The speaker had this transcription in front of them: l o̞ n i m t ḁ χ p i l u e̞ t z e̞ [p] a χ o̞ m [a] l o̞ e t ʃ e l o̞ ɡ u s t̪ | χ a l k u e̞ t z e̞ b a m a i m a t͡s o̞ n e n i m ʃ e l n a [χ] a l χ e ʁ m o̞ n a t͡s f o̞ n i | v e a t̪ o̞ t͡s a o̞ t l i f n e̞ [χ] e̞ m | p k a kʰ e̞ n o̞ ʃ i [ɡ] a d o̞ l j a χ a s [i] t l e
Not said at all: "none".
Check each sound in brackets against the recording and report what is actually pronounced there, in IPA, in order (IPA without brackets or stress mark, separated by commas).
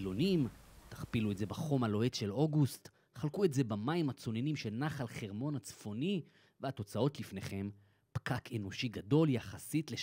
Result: b, a, χ, χ, ɡ, i